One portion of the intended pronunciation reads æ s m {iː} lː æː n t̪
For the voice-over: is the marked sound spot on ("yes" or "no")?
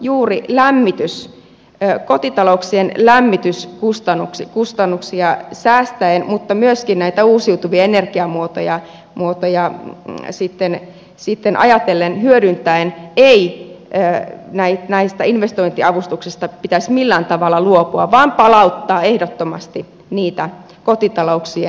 no